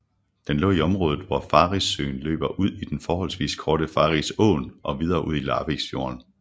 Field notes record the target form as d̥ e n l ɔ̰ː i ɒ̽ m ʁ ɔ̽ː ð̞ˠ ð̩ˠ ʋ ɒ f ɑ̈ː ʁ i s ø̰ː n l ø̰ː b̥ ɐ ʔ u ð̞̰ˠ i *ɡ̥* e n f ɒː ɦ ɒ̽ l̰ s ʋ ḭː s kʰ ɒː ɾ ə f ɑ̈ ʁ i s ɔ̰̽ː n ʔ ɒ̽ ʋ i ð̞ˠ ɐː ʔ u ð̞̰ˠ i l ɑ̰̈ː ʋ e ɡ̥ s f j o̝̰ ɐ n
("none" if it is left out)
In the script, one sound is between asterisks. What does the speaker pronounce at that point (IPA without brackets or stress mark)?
d̥